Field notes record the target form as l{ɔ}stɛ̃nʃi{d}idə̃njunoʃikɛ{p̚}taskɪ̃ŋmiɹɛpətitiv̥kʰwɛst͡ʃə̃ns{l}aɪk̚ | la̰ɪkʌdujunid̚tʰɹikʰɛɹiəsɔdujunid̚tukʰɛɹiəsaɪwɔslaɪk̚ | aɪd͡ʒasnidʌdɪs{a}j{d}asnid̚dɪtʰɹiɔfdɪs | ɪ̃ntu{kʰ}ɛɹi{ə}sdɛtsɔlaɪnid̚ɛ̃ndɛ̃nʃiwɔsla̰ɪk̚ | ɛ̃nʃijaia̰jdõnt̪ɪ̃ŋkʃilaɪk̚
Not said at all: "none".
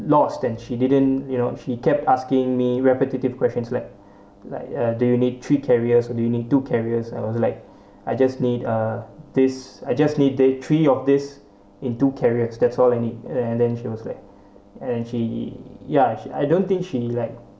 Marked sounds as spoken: ɔ, d, p̚, l, a, d͡ʒ, kʰ, ə

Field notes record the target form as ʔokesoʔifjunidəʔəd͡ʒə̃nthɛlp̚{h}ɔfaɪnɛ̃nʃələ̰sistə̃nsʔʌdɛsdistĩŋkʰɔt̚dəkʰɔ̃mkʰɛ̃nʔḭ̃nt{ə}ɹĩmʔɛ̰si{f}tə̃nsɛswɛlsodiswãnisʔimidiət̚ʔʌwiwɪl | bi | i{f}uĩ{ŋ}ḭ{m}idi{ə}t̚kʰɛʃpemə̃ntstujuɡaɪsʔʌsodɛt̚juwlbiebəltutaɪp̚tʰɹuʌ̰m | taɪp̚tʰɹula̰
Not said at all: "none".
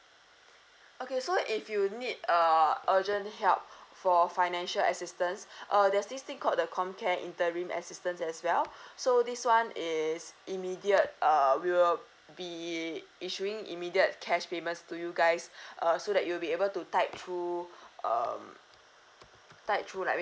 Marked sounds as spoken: f, ə, s, ʃ, ŋ, m, ə

